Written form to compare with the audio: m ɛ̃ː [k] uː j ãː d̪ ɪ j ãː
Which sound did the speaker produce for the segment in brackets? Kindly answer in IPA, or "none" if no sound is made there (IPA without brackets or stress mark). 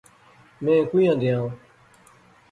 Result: k